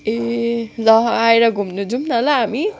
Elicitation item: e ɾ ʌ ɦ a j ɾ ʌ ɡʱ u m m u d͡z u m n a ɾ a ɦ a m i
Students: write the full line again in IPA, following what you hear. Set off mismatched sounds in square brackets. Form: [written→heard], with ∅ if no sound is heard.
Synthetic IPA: e [ɾ→l] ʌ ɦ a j ɾ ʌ ɡʱ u m [m→n] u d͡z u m n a [ɾ→l] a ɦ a m i